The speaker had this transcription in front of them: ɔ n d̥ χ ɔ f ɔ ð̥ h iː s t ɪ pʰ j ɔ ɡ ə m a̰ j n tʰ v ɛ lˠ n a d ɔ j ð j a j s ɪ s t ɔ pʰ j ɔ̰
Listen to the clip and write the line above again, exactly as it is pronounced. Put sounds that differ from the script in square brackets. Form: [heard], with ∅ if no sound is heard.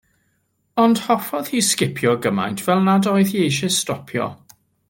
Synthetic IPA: ɔ n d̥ [h] ɔ f ɔ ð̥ h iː s [k] ɪ pʰ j ɔ ɡ ə m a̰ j n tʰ v ɛ lˠ n a d ɔ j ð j [e] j [ʃ] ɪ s t ɔ pʰ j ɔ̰